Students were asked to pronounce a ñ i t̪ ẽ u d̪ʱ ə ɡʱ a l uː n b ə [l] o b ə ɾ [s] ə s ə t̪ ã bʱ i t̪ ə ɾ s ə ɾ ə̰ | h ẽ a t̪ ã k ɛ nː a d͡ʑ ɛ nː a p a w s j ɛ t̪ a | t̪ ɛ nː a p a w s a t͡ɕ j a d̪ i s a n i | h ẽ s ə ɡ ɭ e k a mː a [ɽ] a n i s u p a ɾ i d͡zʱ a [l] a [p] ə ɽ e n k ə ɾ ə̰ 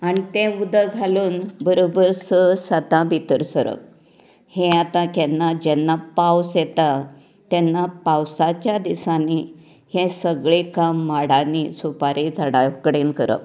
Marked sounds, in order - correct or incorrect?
incorrect: ɾ, correct, correct, incorrect: ɽ, incorrect: k

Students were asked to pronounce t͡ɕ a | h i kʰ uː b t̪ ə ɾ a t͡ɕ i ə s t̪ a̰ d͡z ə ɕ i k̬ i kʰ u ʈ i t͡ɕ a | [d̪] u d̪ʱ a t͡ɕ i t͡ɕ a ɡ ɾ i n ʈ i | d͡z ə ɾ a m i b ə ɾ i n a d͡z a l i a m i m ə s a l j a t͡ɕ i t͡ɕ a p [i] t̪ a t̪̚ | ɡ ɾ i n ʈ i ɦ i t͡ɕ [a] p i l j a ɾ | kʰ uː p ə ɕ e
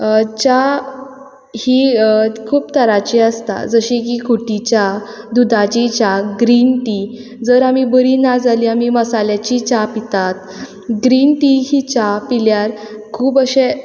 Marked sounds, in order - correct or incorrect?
correct, correct, correct

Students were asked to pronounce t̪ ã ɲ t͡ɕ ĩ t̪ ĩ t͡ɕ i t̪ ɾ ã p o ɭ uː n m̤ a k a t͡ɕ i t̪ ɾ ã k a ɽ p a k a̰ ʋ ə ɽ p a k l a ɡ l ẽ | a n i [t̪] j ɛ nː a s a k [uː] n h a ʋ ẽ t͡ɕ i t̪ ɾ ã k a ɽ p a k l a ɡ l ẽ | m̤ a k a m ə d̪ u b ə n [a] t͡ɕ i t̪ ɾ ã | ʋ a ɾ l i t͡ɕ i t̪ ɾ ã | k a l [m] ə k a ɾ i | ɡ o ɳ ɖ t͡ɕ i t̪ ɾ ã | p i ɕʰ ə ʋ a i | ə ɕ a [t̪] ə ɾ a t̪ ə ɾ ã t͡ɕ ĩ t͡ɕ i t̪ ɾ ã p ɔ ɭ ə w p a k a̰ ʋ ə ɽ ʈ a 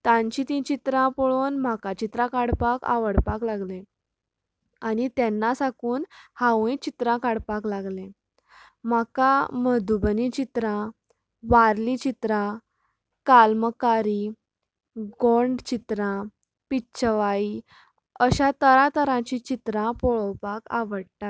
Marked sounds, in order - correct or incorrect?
correct, correct, incorrect: i, correct, correct

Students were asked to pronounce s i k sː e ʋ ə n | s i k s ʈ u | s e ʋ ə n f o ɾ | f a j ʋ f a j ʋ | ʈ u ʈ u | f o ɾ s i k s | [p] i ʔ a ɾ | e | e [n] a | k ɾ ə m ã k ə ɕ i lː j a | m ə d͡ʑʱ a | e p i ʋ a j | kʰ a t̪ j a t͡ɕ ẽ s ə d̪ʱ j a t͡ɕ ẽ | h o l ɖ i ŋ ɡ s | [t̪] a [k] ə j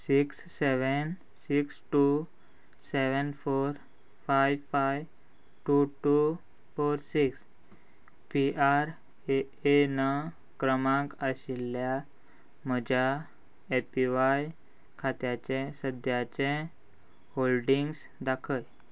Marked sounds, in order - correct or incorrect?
correct, correct, incorrect: d̪, incorrect: kʰ

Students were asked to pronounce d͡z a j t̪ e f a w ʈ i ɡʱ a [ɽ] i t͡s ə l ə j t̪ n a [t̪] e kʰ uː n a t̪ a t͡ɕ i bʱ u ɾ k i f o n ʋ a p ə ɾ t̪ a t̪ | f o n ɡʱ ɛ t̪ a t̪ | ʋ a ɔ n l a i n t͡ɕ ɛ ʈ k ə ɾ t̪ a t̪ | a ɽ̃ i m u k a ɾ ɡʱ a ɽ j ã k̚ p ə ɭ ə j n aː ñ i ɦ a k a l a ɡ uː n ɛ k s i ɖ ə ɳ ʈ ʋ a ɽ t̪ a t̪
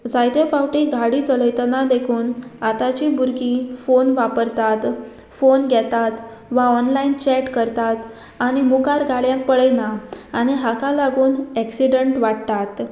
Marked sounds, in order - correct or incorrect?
correct, incorrect: d̪

